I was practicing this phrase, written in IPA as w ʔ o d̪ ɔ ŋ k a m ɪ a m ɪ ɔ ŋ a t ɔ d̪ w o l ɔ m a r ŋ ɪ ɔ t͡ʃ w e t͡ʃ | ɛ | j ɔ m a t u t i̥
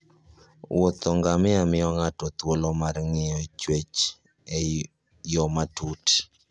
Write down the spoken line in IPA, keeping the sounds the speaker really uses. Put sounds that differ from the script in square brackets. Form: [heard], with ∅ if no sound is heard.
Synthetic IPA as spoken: w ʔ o [t̪] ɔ ŋ [ɡ] a m ɪ a m ɪ ɔ ŋ a t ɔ [t̪] w o l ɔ m a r ŋ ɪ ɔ t͡ʃ w e t͡ʃ | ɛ | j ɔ m a t u t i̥